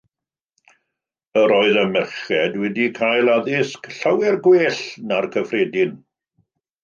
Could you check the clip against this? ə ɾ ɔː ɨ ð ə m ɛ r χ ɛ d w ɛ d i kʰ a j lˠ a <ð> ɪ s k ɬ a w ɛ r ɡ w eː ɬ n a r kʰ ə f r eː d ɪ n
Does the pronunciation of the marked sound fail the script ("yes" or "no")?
no